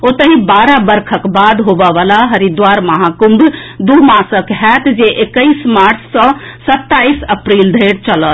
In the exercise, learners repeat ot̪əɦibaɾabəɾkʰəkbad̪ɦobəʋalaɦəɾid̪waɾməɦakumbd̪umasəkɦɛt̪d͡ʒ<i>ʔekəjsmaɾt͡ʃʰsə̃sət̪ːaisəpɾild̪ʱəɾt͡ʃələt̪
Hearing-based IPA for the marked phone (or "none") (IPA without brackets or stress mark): e